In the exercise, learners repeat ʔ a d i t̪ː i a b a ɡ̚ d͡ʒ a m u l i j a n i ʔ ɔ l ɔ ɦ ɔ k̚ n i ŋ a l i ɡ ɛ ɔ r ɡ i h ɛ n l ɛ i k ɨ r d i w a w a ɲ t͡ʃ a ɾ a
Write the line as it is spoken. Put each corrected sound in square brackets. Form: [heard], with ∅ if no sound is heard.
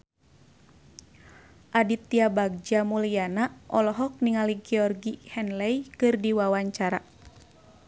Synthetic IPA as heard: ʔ a d i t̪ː i a b a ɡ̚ d͡ʒ a m u l i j a n [a] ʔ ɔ l ɔ ɦ ɔ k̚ n i ŋ a l i ɡ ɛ ɔ r ɡ i h ɛ n l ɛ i k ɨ r d i w a w a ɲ t͡ʃ a ɾ a

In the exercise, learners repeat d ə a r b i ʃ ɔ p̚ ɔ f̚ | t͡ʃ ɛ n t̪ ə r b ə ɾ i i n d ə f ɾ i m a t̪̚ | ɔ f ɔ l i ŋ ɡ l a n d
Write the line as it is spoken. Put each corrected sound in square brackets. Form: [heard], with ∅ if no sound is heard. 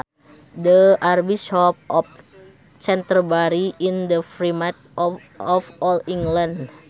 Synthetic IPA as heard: d ə a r b i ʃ ɔ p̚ ɔ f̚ | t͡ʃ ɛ n t̪ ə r b [a] ɾ i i n d ə f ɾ i m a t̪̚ | ɔ f ɔ l i ŋ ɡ l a n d

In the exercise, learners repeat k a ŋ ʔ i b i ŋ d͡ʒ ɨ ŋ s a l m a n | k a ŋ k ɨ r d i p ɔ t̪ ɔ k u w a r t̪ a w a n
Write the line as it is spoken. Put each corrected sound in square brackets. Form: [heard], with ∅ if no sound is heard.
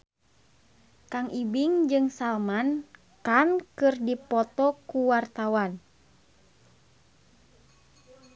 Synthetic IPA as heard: k a ŋ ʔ i b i ŋ d͡ʒ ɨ ŋ s a l m a n | k a [n] k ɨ r d i p ɔ t̪ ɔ k u w a r t̪ a w a n

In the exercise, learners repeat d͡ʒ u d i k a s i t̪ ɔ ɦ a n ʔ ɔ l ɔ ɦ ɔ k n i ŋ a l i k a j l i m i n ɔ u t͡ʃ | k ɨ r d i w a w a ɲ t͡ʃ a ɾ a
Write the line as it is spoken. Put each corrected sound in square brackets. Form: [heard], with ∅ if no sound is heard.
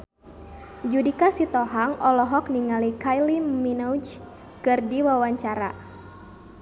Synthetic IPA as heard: d͡ʒ u d i k a s i t̪ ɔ ɦ a [ŋ] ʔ ɔ l ɔ ɦ ɔ k n i ŋ a l i k a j l i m i n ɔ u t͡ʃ | k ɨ r d i w a w a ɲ t͡ʃ a ɾ a

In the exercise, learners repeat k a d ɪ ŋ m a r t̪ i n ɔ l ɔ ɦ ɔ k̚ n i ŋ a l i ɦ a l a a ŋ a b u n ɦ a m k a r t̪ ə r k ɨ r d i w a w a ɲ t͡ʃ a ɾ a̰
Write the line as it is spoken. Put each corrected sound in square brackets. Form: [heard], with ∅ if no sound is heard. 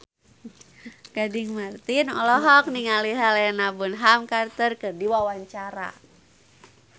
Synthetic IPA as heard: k a d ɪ ŋ m a r t̪ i n ɔ l ɔ ɦ ɔ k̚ n i ŋ a l i ɦ a l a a [n] a b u n ɦ a m k a r t̪ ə r k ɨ r d i w a w a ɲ t͡ʃ a ɾ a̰

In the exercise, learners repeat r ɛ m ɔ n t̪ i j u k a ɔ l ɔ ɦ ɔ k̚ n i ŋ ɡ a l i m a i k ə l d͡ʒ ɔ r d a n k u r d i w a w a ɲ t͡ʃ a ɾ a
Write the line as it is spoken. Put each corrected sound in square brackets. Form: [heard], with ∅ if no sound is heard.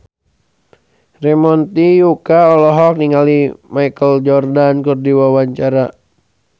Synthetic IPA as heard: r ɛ m ɔ n t̪ i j u k a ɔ l ɔ ɦ ɔ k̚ n i ŋ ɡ a l i m a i k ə l d͡ʒ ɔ r d a n k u r d i w a w a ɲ t͡ʃ a ɾ a

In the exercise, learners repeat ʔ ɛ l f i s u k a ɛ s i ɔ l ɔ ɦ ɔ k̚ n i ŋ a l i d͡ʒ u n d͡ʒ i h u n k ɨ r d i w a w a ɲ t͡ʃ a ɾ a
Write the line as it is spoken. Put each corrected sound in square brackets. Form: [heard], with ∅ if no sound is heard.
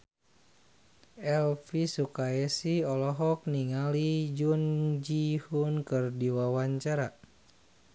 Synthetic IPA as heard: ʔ ɛ l f i s u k a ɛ s i ɔ l ɔ ɦ ɔ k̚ n i ŋ a l i d͡ʒ u n d͡ʒ i h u n k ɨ r d i w a w a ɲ t͡ʃ a ɾ a

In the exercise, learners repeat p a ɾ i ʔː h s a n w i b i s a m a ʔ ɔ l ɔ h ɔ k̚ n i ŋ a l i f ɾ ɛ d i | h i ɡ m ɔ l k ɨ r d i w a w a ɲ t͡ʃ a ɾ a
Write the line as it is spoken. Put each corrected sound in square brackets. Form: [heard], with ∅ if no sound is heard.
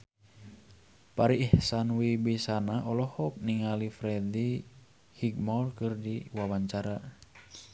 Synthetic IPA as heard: p a ɾ i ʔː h s a n w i b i s a [n] a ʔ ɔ l ɔ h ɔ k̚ n i ŋ a l i f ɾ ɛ d i | h i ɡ m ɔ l k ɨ r d i w a w a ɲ t͡ʃ a ɾ a

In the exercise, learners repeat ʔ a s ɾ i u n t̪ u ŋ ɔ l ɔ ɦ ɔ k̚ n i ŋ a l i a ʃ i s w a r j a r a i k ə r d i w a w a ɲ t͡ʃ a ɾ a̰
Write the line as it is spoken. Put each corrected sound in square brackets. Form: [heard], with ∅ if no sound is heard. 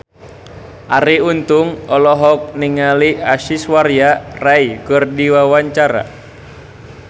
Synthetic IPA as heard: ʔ a [∅] ɾ i u n t̪ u ŋ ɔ l ɔ ɦ ɔ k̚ n i ŋ a l i a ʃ i s w a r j a r a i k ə r d i w a w a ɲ t͡ʃ a ɾ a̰

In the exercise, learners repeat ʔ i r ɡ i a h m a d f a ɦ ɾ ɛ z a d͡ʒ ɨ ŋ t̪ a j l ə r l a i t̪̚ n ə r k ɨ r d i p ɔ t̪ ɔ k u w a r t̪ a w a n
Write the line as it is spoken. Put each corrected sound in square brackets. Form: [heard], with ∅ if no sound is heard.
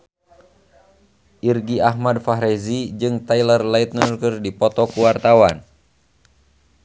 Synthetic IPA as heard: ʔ i r ɡ i a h m a d f a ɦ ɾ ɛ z [i] d͡ʒ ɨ ŋ t̪ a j l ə r l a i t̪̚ n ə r k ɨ r d i p ɔ t̪ ɔ k u w a r t̪ a w a n

